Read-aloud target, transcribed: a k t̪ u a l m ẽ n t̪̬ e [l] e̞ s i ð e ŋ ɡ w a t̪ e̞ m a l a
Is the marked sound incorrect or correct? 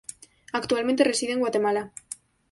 incorrect